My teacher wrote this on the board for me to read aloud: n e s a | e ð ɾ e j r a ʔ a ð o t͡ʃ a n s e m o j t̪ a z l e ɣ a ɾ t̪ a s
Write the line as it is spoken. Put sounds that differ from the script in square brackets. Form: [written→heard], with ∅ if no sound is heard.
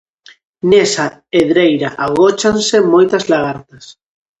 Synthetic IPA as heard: n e s a | e ð ɾ e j [r→ɾ] a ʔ a [ð→ɣ] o t͡ʃ a n s e m o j t̪ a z l [e→a] ɣ a ɾ t̪ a s